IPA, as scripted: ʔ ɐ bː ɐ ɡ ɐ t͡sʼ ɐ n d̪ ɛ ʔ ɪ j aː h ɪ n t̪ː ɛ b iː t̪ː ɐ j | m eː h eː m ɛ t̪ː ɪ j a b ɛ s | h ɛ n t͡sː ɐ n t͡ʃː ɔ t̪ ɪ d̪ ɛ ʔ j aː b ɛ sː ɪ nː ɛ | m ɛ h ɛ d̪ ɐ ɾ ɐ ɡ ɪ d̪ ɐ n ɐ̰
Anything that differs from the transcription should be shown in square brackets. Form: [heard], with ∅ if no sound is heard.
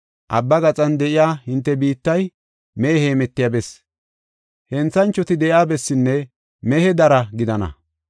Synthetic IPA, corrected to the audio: ʔ ɐ bː ɐ ɡ ɐ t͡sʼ ɐ n d̪ ɛ ʔ ɪ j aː h ɪ n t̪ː ɛ b iː t̪ː ɐ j | m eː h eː m ɛ t̪ː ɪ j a b ɛ s | h ɛ n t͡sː ɐ n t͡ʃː ɔ t̪ ɪ d̪ ɛ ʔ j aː b ɛ sː ɪ nː ɛ | m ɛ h ɛ d̪ ɐ ɾ ɐ ɡ ɪ d̪ ɐ n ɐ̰